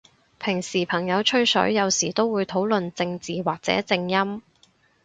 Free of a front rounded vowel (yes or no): yes